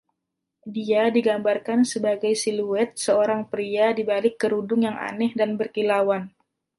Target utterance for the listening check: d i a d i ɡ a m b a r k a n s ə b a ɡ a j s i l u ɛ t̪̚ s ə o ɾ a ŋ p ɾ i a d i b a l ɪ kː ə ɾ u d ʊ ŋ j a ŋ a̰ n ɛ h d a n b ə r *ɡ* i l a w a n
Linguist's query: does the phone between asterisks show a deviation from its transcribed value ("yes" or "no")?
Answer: yes